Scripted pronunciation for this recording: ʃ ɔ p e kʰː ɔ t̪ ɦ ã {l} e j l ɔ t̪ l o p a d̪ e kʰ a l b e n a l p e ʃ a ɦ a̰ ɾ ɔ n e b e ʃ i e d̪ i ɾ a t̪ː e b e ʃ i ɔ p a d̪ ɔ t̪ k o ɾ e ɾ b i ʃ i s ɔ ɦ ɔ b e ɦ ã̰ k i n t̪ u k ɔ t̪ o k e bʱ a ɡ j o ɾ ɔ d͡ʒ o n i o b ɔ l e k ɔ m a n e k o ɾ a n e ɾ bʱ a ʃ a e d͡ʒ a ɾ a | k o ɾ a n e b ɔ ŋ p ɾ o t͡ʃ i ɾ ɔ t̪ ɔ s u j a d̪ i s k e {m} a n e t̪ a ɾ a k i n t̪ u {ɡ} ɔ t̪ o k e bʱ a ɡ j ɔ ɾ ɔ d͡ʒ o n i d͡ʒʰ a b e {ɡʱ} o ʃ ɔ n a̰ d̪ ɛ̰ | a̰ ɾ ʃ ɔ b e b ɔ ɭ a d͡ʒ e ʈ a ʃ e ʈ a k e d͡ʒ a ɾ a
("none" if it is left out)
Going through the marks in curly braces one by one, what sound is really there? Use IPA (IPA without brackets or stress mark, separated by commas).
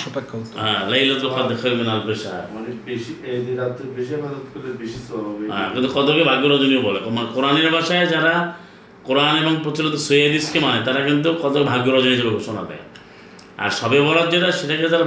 l, m, k, ɡʱ